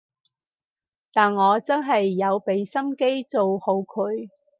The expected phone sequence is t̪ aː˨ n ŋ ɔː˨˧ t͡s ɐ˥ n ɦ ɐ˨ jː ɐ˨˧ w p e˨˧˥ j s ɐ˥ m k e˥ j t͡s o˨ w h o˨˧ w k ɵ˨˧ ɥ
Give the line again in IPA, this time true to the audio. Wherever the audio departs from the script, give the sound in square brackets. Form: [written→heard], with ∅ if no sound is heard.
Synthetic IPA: t̪ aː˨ n ŋ ɔː˨˧ t͡s ɐ˥ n ɦ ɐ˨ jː ɐ˨˧ w p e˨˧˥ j s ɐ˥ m k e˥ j t͡s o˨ w h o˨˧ w [k→kʰ] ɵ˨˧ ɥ